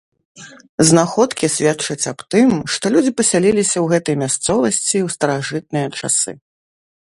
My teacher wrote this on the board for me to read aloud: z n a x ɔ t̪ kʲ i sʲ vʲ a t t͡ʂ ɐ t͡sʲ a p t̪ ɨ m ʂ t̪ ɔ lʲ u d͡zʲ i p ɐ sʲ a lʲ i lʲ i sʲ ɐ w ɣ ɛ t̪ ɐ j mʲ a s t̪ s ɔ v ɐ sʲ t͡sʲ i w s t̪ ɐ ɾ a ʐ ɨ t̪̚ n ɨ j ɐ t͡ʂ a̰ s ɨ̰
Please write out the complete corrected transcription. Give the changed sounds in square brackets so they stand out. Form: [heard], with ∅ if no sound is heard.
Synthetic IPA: z n a x ɔ t̪ kʲ i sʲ vʲ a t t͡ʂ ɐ t͡sʲ a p t̪ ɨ m ʂ t̪ ɔ lʲ u d͡zʲ i p ɐ sʲ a lʲ i lʲ i sʲ ɐ w ɣ ɛ t̪ ɐ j mʲ a s t̪ s ɔ v ɐ sʲ t͡sʲ i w s t̪ ɐ ɾ a ʐ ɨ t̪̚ n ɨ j ɐ t͡ʂ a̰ s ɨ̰